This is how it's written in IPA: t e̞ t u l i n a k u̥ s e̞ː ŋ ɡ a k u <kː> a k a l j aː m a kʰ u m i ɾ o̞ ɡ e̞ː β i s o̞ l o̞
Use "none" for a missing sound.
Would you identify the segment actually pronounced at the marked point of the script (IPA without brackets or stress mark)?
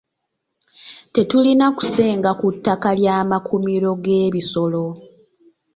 tː